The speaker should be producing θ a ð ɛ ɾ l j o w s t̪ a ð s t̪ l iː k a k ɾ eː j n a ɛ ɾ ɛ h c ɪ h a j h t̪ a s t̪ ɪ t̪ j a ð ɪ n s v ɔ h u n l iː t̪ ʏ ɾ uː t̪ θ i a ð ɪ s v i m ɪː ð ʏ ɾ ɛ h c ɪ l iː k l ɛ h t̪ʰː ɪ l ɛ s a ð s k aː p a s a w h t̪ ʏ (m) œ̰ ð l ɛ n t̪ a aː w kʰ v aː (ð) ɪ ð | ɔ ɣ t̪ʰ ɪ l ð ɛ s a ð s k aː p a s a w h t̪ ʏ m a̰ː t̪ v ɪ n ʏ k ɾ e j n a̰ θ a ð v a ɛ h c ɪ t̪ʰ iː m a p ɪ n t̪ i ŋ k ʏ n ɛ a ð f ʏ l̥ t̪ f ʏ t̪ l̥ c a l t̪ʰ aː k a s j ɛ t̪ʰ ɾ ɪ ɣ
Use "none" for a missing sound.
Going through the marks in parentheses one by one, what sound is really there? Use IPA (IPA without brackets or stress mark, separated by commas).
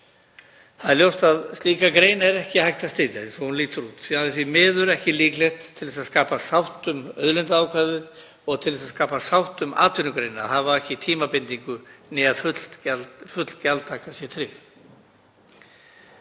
m, ð